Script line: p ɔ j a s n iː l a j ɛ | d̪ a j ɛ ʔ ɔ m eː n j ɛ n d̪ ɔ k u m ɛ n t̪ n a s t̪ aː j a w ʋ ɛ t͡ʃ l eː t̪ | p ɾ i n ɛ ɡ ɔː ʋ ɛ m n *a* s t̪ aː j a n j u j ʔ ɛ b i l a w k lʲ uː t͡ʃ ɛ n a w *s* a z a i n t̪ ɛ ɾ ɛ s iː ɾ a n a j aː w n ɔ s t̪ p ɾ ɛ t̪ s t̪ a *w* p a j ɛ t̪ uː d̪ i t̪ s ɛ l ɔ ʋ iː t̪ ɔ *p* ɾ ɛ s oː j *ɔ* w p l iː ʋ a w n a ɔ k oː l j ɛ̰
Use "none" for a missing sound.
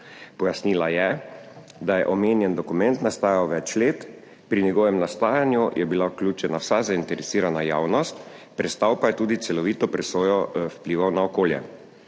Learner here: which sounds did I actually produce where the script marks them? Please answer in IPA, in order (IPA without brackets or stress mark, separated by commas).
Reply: a, s, w, p, ɔ